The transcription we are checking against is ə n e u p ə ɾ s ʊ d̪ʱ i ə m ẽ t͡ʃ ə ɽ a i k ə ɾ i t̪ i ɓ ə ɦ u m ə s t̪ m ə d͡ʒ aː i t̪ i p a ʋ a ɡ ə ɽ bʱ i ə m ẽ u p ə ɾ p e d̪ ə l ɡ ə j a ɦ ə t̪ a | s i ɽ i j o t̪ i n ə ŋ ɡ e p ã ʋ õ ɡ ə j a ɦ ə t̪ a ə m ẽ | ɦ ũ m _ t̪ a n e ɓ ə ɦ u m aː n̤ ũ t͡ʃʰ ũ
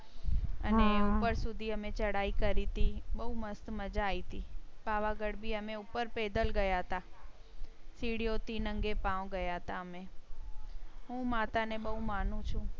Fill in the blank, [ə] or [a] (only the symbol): a